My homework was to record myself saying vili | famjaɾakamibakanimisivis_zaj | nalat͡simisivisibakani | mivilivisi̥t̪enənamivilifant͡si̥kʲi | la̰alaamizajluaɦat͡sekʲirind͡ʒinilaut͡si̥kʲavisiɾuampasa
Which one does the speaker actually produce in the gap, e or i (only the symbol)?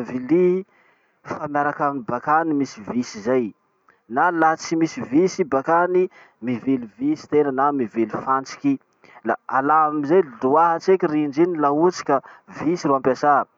i